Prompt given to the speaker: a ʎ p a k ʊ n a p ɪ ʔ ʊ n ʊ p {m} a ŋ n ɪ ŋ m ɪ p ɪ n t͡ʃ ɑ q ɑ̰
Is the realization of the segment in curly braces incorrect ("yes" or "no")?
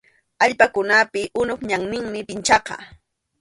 yes